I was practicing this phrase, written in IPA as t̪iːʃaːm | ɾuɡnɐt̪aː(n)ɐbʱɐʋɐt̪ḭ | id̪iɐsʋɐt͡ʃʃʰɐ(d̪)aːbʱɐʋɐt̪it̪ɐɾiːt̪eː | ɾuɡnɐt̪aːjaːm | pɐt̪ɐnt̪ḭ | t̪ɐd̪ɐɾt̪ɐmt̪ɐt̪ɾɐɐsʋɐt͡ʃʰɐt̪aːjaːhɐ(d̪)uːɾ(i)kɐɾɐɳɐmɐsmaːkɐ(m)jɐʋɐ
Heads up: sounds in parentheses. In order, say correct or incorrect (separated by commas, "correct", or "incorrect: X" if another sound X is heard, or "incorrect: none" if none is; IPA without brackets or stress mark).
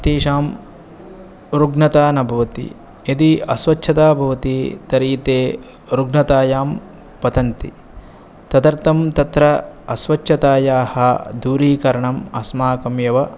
correct, incorrect: t̪, correct, incorrect: iː, correct